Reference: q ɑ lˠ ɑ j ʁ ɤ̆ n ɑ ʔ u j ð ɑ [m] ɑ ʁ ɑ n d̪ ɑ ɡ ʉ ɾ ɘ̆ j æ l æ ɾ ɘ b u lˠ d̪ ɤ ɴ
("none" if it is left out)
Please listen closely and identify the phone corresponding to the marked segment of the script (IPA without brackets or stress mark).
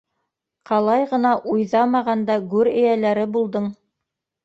m